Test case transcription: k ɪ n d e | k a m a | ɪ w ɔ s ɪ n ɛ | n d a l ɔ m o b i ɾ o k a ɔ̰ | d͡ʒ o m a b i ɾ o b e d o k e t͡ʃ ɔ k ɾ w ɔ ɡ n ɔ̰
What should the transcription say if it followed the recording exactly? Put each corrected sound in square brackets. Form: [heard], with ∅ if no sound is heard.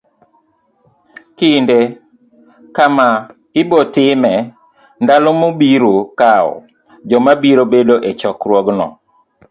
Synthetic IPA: k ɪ n d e | k a m a | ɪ [b] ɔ [t] ɪ [m] ɛ | n d a l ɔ m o b i ɾ o k a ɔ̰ | d͡ʒ [ɔ] m a b i ɾ o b e d o [ʔ] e t͡ʃ ɔ k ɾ w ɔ ɡ n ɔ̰